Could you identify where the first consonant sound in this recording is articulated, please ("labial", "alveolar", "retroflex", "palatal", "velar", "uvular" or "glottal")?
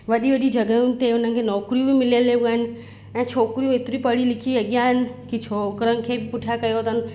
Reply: labial